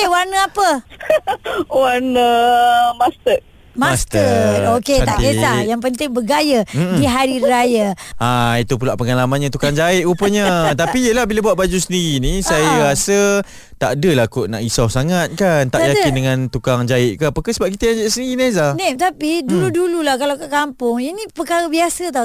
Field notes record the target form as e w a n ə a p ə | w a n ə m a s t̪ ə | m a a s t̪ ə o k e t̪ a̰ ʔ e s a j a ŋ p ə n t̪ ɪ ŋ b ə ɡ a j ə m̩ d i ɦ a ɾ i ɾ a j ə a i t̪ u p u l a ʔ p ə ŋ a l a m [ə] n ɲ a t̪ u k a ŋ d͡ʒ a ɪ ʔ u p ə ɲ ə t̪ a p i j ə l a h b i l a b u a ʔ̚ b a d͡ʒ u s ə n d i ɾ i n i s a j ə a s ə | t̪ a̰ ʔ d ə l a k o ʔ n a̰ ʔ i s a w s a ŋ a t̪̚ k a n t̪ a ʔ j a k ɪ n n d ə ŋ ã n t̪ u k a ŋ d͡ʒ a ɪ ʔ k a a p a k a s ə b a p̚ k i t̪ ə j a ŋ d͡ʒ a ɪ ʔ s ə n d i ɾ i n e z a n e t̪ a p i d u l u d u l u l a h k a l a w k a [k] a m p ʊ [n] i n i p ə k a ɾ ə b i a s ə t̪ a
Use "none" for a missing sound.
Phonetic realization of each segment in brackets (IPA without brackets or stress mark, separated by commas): a, k, ŋ